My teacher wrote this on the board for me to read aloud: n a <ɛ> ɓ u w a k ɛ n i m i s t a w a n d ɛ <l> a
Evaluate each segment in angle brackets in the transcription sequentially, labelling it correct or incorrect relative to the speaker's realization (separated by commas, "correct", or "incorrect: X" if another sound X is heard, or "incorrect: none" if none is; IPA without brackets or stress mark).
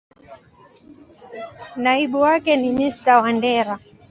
incorrect: i, incorrect: ɾ